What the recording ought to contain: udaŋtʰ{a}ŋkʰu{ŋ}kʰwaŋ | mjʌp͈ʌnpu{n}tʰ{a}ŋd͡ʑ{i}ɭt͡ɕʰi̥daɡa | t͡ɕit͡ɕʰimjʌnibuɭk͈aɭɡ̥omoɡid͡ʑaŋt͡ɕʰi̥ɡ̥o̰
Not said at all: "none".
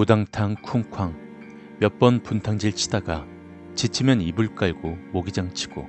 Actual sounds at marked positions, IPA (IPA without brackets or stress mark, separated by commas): a, ŋ, n, a, i